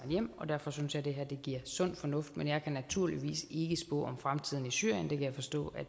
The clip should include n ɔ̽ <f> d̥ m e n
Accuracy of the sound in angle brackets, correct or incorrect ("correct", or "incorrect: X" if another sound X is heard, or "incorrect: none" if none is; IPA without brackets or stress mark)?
correct